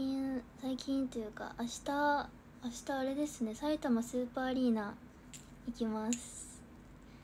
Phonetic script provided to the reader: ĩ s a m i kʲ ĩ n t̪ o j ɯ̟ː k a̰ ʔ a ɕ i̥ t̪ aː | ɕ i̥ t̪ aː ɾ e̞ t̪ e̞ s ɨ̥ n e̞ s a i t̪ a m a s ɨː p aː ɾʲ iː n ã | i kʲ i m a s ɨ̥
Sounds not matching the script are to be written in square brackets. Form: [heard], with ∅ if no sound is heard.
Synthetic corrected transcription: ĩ s a [∅] i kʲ ĩ n t̪ o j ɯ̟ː k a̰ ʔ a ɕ i̥ t̪ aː | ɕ i̥ t̪ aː ɾ e̞ [d̪] e̞ s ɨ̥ n e̞ s a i t̪ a m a s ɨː p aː ɾʲ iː n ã | i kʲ i m a s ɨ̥